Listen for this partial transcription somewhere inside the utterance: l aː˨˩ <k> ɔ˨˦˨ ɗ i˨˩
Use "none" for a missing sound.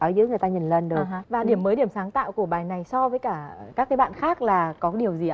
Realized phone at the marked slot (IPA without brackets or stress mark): k